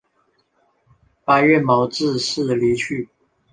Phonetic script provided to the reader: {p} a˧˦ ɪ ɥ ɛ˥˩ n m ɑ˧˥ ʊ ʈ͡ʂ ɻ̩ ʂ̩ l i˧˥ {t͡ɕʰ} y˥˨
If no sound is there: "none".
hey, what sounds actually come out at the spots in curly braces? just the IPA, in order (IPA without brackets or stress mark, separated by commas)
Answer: p, t͡ɕʰ